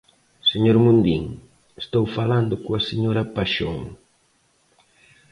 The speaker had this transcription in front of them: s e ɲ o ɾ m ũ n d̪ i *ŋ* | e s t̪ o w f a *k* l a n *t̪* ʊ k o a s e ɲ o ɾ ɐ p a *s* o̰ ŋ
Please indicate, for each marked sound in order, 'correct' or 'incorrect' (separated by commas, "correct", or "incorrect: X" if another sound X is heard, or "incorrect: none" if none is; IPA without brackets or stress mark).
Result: correct, incorrect: none, incorrect: d̪, incorrect: ʃ